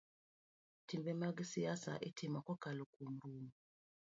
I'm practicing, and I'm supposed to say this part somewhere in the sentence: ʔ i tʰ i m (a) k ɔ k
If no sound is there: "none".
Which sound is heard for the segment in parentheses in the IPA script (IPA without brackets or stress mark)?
a